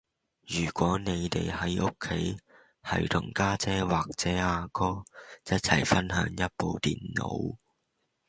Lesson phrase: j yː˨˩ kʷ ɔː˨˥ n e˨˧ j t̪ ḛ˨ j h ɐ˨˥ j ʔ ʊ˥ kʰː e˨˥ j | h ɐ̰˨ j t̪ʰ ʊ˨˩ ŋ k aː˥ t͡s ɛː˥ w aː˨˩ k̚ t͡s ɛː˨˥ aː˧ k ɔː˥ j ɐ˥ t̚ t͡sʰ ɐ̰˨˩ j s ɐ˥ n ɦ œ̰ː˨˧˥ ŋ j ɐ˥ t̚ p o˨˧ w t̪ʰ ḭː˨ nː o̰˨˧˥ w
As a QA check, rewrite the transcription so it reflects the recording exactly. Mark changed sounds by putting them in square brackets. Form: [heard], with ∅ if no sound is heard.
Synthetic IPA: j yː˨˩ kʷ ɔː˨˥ n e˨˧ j t̪ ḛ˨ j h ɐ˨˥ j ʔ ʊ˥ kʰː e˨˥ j | h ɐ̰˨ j t̪ʰ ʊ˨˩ ŋ k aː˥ t͡s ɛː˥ w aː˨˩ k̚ t͡s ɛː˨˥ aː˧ k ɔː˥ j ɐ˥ t̚ t͡sʰ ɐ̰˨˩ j [f] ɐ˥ n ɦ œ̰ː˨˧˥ ŋ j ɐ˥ t̚ p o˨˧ w [t̪] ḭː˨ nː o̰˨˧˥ w

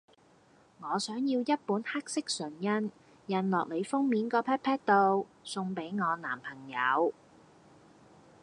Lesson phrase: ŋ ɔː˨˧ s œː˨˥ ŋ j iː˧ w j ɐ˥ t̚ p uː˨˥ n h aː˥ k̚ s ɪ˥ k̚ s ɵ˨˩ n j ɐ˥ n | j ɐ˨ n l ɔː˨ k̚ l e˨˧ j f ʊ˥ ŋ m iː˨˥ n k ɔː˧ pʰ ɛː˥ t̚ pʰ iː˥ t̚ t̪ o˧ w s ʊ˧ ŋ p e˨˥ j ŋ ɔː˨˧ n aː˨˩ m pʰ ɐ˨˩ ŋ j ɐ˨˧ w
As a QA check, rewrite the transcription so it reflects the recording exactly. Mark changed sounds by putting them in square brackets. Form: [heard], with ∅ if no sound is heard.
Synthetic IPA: ŋ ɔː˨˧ s œː˨˥ ŋ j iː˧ w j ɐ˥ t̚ p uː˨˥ n h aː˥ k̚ s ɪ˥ k̚ s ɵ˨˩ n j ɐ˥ n | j ɐ˨ n l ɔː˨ k̚ l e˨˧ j f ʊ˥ ŋ m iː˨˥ n k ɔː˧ pʰ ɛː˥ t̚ pʰ [ɛː˥] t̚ t̪ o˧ w s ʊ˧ ŋ p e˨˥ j ŋ ɔː˨˧ n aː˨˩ m pʰ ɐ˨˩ ŋ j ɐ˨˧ w

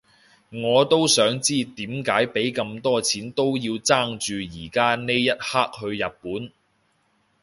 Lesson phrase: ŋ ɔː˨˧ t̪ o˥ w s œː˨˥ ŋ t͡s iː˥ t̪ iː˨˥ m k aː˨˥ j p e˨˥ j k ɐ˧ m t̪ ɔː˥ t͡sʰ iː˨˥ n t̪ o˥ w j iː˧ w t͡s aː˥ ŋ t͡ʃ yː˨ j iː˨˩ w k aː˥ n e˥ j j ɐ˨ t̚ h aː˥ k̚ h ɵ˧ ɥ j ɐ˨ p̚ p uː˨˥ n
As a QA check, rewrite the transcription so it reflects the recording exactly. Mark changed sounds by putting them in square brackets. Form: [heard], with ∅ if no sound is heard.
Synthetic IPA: ŋ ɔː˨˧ t̪ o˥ w s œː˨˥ ŋ t͡s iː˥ t̪ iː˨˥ m k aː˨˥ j p e˨˥ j k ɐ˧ m t̪ ɔː˥ t͡sʰ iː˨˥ n t̪ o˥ w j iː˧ w t͡s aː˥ ŋ t͡ʃ yː˨ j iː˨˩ [∅] k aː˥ n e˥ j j [ɐ˥] t̚ h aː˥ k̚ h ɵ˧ ɥ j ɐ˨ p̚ p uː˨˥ n

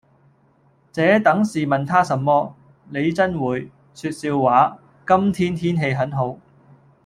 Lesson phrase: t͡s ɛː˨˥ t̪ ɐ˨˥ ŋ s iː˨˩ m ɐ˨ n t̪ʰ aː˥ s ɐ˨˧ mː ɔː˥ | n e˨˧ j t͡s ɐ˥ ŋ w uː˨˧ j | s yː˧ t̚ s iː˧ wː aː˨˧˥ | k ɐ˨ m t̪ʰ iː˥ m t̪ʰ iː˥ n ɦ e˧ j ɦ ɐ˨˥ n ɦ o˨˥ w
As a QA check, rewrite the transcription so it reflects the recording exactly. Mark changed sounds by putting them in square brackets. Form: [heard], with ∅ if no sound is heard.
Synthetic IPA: t͡s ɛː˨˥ t̪ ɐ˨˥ ŋ s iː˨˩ m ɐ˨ n t̪ʰ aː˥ s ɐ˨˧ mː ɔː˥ | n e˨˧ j t͡s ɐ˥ [n] w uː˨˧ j | s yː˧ t̚ s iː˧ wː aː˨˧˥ | k [ɐ˥] m t̪ʰ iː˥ [n] t̪ʰ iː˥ n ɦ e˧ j ɦ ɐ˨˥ n ɦ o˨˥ w

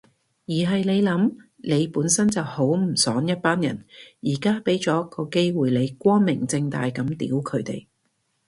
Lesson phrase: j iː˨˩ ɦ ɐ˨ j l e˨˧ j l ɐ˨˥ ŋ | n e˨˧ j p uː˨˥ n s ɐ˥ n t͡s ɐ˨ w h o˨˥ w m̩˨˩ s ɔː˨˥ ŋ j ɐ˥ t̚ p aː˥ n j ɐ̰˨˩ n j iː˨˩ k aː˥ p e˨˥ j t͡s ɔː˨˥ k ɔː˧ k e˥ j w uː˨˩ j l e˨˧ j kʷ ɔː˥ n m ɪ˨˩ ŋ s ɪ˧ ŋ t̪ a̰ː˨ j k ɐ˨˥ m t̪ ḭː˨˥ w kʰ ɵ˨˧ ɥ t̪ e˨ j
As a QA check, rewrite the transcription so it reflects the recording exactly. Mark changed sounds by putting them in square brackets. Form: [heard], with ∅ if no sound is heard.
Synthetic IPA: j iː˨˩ ɦ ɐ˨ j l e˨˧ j l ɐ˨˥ [m] | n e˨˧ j p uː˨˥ n s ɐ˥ n t͡s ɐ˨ w h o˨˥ w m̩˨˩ s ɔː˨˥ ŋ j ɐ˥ t̚ p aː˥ n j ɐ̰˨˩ n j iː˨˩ k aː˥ p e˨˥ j t͡s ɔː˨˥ k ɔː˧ k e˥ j w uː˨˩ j l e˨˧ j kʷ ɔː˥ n m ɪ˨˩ ŋ [t͡s] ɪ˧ ŋ t̪ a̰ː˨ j k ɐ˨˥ m t̪ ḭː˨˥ w kʰ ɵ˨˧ ɥ t̪ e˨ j

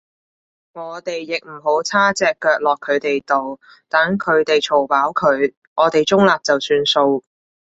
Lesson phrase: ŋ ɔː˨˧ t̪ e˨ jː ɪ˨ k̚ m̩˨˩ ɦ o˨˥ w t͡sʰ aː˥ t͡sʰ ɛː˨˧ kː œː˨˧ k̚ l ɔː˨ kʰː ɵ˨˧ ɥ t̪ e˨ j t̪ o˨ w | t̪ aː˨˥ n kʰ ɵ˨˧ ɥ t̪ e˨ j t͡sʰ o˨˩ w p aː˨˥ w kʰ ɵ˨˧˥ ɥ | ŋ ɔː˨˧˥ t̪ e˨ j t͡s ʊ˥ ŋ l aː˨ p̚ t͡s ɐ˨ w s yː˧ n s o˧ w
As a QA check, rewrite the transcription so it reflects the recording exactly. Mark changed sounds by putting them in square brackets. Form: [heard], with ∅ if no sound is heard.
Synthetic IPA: ŋ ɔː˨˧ t̪ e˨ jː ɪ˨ k̚ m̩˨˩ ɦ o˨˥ w t͡sʰ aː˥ [t͡s] ɛː˨˧ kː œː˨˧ k̚ l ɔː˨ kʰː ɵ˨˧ ɥ t̪ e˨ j t̪ o˨ w | t̪ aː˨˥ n kʰ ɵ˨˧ ɥ t̪ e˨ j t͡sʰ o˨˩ w p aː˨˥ w kʰ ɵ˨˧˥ ɥ | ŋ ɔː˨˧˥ t̪ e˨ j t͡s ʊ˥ ŋ l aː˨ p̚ t͡s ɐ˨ w s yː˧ n s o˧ w

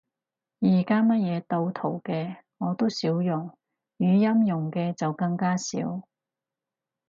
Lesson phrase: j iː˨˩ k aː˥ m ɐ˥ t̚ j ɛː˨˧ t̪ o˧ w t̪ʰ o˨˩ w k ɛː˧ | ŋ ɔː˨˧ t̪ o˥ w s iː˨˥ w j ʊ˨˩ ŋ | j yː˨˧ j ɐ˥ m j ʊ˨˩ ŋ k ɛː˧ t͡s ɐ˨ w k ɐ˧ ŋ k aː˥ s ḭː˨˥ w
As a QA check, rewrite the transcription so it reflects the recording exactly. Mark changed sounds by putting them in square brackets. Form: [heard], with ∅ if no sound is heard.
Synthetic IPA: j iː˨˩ k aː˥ m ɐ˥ t̚ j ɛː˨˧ t̪ o˧ w t̪ʰ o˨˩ w k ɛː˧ | ŋ ɔː˨˧ t̪ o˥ w s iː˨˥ w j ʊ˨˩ ŋ | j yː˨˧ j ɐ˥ m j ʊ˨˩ ŋ k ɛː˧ t͡s ɐ˨ w k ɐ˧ ŋ k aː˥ s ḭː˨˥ w

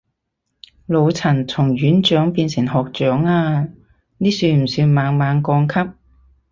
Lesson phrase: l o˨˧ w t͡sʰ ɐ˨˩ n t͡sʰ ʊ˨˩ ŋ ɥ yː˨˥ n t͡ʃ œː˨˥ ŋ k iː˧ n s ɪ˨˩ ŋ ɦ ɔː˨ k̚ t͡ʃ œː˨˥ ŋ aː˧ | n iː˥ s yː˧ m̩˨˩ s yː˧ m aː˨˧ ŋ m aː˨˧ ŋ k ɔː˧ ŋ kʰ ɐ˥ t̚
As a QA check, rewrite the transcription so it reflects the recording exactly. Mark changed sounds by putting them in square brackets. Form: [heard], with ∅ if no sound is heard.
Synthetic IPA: l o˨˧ w t͡sʰ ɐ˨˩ n t͡sʰ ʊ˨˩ ŋ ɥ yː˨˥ n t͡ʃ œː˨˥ ŋ [p] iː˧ n s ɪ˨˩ ŋ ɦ ɔː˨ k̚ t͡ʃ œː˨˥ ŋ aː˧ | n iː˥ s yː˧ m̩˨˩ s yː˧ m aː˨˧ ŋ m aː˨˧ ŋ k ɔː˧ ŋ kʰ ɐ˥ [p̚]

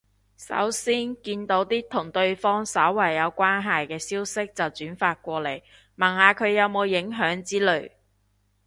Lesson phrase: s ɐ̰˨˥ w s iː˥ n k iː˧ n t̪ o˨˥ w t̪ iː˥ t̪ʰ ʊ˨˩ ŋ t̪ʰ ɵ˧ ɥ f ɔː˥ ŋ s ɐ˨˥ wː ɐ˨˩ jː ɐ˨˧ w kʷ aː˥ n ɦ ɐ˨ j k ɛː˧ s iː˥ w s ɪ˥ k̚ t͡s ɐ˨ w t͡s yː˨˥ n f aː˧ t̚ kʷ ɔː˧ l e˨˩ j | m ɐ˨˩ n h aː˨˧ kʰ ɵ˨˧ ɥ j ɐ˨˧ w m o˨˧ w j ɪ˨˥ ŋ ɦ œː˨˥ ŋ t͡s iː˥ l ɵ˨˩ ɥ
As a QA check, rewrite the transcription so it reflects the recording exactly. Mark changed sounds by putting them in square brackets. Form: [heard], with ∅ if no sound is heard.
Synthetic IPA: s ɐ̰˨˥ w s iː˥ n k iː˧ n t̪ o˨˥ w t̪ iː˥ t̪ʰ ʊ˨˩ ŋ [t̪] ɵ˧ ɥ f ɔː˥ ŋ s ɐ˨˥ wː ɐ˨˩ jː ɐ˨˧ w kʷ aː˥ n ɦ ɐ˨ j k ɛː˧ s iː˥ w s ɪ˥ k̚ t͡s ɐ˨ w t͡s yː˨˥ n f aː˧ t̚ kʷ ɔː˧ l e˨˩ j | m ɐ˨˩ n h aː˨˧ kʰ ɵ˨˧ ɥ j ɐ˨˧ w m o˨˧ w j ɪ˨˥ ŋ ɦ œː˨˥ ŋ t͡s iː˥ l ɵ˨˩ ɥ

